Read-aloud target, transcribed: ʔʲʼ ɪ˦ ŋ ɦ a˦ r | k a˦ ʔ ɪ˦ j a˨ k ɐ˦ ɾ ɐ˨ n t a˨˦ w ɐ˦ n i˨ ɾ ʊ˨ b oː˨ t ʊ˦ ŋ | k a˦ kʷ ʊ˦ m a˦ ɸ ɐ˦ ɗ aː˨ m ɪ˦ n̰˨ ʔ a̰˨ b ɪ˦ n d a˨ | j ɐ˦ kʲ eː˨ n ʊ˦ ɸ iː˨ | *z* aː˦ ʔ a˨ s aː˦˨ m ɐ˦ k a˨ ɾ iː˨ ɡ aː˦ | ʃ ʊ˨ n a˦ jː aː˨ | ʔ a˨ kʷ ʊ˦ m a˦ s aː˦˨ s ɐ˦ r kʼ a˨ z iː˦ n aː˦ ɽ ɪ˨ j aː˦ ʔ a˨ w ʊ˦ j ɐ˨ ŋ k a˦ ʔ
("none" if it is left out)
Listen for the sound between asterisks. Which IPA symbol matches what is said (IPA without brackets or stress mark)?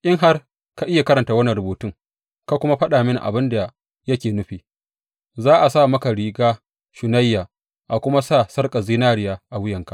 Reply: z